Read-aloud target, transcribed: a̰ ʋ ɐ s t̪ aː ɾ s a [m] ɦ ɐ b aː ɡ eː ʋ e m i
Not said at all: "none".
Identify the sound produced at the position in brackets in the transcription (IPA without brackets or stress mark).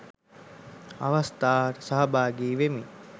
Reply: none